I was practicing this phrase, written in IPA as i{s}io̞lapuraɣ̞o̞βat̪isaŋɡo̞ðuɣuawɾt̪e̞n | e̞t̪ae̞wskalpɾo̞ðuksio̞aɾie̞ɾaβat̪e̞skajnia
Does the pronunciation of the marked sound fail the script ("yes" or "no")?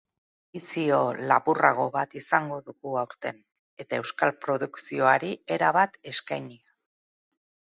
no